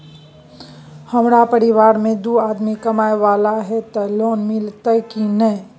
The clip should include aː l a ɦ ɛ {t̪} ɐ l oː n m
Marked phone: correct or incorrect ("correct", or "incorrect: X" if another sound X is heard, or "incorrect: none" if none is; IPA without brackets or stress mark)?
correct